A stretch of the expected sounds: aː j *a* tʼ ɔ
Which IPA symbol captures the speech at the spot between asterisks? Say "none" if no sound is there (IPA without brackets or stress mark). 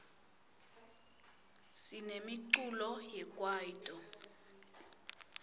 i